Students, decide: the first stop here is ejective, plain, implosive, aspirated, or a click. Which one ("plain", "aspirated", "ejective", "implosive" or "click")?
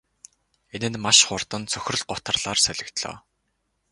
plain